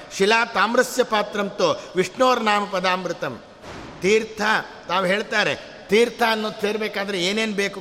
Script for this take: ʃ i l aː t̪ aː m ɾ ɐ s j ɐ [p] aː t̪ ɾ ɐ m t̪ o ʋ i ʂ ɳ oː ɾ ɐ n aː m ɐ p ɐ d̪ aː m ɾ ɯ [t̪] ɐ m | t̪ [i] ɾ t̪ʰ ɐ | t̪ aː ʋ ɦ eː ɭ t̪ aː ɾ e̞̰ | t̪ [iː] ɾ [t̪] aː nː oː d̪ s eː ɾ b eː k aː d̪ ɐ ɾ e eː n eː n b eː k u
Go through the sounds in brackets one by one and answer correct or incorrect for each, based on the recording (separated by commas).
correct, correct, incorrect, correct, incorrect